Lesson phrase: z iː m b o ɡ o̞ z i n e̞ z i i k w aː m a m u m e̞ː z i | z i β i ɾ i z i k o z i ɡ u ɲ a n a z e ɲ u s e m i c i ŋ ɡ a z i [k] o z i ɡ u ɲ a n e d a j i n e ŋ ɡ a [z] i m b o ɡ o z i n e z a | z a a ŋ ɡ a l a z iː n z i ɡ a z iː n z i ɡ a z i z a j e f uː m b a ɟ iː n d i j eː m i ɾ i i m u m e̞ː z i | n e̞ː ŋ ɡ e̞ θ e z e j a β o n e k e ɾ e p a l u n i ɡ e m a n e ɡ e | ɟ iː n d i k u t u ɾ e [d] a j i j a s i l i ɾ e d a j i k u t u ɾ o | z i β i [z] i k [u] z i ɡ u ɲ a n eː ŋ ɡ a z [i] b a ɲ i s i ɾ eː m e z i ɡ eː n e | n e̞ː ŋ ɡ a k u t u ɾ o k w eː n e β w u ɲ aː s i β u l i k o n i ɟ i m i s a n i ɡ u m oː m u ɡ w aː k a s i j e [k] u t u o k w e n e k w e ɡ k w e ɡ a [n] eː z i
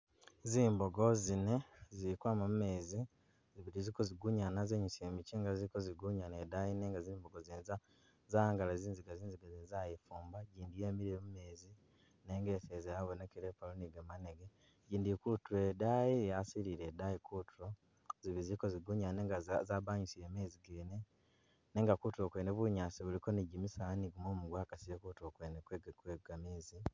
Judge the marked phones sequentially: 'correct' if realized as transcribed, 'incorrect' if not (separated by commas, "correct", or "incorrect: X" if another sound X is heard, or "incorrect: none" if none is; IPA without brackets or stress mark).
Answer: correct, correct, correct, correct, incorrect: o, incorrect: a, correct, incorrect: m